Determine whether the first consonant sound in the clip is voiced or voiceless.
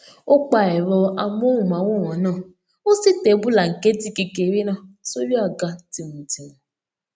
voiceless